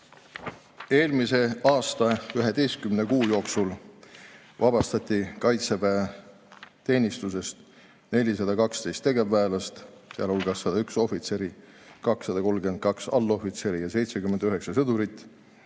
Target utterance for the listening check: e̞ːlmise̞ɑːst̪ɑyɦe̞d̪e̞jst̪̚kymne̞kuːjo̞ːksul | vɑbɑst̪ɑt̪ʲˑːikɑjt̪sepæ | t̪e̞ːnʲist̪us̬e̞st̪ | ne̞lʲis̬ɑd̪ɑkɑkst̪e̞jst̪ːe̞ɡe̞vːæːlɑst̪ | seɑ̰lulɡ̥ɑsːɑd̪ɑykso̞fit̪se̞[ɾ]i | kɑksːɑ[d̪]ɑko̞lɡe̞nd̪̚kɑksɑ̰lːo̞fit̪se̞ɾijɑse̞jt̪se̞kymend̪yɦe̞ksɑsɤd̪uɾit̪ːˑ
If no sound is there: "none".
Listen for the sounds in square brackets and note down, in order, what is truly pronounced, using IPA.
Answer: ɾ, d̪

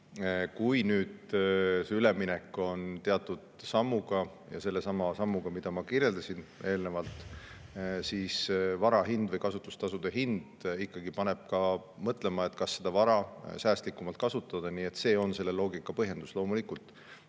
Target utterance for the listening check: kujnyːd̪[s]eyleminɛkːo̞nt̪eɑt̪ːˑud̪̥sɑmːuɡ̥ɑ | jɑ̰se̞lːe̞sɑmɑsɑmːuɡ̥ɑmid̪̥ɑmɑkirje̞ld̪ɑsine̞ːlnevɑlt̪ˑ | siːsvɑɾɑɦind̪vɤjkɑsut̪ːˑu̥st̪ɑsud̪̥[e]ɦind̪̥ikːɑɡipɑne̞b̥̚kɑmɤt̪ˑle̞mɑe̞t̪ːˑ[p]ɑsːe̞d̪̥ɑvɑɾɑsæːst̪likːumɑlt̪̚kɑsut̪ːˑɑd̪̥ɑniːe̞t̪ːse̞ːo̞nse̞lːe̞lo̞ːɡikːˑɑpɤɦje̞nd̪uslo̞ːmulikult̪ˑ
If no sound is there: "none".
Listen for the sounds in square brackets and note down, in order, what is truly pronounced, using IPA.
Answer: s, e, k

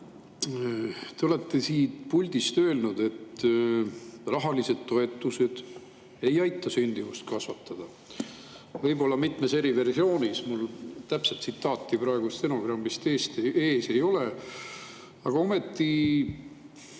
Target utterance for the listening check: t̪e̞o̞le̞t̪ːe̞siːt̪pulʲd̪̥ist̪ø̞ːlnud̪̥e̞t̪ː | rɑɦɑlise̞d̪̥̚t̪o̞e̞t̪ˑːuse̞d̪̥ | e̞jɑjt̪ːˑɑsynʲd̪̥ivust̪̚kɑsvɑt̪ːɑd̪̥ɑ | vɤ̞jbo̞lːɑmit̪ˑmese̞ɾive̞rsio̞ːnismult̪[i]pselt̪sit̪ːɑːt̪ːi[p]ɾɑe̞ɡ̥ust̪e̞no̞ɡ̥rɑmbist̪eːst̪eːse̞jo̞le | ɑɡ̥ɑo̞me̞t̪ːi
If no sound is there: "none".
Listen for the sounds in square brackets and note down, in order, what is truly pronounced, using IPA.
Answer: æ, p

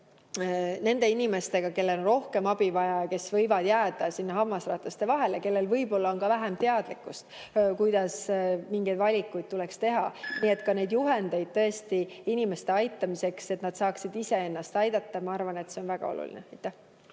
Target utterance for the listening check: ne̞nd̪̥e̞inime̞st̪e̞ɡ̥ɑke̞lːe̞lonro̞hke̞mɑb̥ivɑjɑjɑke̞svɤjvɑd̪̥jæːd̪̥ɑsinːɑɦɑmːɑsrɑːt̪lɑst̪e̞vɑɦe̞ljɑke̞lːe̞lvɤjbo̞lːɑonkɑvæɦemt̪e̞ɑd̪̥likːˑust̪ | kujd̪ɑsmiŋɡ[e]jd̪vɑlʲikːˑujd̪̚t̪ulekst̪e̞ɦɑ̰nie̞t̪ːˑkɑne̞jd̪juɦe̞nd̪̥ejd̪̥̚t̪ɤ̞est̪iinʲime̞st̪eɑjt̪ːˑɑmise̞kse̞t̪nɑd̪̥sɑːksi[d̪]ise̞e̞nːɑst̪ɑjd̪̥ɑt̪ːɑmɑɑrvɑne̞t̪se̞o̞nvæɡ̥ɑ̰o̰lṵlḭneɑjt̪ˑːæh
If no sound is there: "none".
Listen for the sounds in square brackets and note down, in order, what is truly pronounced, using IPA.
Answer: e, d̪

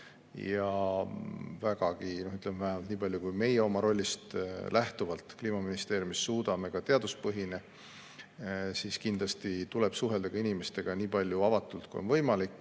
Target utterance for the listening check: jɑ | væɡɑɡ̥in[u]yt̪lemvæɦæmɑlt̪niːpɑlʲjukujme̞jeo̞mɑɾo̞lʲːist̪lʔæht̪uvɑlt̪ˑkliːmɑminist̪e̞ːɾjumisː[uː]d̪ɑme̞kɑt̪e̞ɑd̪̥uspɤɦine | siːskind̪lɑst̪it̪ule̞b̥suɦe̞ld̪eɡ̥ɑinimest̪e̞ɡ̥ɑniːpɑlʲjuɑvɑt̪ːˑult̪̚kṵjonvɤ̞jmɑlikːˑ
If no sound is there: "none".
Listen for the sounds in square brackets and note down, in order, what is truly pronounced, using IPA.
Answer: o, uː

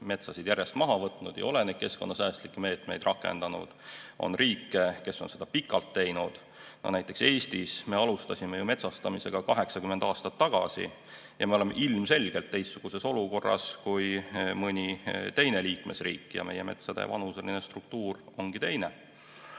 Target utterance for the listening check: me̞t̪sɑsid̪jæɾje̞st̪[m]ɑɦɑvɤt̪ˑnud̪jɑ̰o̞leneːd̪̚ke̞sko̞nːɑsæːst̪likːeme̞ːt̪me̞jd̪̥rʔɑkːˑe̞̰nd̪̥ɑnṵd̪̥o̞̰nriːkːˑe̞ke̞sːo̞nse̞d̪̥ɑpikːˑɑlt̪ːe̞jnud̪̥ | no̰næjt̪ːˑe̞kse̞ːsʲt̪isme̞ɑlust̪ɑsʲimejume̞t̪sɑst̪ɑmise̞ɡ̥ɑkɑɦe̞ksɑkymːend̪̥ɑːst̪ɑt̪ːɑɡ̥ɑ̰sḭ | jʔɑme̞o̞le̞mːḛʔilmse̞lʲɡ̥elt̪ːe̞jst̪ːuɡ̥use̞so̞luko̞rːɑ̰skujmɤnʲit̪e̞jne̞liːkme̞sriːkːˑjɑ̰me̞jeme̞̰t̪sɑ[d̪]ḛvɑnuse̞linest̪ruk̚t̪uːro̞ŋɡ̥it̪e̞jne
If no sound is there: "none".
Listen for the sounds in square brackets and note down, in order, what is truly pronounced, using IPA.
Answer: m, d̪

